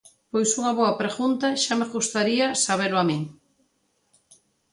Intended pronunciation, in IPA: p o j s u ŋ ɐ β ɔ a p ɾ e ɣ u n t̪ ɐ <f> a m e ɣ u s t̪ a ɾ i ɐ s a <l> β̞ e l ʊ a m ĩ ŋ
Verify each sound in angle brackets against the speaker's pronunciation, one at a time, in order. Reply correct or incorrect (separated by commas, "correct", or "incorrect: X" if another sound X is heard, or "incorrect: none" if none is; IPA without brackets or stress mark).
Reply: incorrect: ʃ, incorrect: none